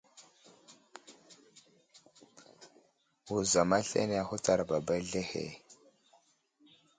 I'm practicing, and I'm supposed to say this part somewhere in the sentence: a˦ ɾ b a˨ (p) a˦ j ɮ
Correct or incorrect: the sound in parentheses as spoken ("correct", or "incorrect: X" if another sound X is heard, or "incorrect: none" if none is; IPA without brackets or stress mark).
incorrect: b